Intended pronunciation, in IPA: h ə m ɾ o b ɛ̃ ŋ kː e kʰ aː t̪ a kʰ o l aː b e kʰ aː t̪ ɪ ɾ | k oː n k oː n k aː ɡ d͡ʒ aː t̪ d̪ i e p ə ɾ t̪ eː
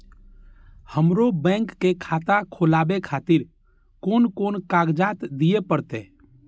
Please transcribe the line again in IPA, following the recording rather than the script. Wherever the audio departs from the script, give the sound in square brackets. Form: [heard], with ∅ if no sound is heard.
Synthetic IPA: h ə m ɾ o b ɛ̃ ŋ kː e kʰ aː t̪ a kʰ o l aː b e kʰ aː t̪ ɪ ɾ | k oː n k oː n k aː ɡ d͡ʒ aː t̪ d̪ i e p ə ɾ t̪ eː